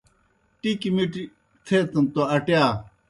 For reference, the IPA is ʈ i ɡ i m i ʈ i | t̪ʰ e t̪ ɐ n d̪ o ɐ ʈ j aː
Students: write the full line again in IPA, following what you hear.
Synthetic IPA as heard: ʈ i k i m i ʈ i | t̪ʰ e t̪ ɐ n t̪ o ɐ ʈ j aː